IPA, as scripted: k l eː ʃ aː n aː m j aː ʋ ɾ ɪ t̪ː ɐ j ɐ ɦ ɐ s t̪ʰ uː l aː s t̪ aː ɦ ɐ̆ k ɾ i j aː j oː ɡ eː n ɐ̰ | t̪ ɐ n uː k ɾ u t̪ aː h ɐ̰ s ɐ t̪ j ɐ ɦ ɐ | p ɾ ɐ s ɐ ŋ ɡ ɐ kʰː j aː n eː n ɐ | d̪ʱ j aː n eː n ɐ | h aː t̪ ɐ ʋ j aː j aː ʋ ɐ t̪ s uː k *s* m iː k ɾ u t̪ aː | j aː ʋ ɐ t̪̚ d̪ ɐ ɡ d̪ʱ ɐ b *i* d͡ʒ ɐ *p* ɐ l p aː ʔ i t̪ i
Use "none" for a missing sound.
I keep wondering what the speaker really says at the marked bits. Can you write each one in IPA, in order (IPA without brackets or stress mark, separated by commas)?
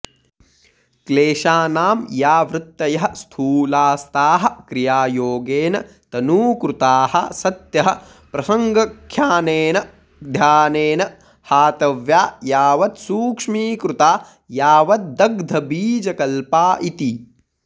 ʂ, iː, k